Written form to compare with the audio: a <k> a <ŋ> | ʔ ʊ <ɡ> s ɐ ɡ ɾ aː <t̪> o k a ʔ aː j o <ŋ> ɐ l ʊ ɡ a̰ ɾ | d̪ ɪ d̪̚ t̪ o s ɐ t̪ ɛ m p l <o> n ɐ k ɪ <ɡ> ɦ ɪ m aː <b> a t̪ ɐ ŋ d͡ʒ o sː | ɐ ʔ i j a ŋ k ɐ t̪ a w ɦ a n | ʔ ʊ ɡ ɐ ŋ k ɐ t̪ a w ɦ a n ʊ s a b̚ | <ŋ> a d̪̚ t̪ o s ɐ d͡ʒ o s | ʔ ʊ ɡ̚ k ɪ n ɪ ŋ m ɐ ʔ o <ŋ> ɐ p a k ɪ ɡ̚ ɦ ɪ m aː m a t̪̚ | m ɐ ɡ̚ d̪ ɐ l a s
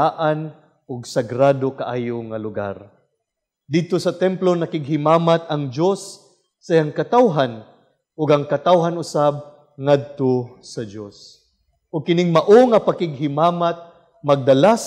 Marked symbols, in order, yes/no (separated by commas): no, no, yes, no, yes, yes, yes, no, yes, yes